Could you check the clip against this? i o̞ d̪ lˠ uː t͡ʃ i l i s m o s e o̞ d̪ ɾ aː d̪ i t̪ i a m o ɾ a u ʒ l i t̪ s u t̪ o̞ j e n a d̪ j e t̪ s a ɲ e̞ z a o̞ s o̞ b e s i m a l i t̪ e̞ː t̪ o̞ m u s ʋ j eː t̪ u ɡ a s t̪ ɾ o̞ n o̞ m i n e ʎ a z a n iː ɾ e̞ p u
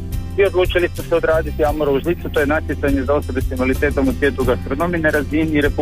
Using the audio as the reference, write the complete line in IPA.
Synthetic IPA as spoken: i o̞ d̪ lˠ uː t͡ʃ i l i s m o s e o̞ d̪ ɾ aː d̪ i t̪ i a m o ɾ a u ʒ l i t̪ s u t̪ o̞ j e n a t̪ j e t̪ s a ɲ e̞ z a o̞ s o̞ b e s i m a l i t̪ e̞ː t̪ o̞ m u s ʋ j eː t̪ u ɡ a s t̪ ɾ o̞ n o̞ m i n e ɾ a z i n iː ɾ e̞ p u